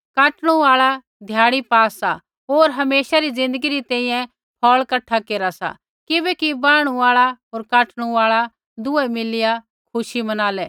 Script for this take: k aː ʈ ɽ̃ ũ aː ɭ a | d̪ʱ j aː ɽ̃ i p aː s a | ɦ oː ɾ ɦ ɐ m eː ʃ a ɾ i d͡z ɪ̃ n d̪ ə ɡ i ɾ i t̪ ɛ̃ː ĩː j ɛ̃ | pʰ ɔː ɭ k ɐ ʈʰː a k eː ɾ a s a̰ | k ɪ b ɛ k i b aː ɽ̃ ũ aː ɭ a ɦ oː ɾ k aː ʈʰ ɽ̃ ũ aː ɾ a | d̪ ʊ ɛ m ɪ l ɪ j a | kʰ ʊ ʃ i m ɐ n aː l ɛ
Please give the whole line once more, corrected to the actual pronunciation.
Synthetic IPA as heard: k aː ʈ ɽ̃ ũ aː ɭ a | d̪ʱ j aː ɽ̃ i p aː s a | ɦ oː ɾ ɦ ɐ m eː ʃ a ɾ i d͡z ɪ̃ n d̪ ə ɡ i ɾ i t̪ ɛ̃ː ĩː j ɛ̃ | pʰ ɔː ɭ k ɐ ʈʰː a k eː ɾ a s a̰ | k ɪ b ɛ k i b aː ɽ̃ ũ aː ɭ a ɦ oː ɾ k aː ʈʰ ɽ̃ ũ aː ɭ a | d̪ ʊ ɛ m ɪ l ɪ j a | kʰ ʊ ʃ i m ɐ n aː l ɛ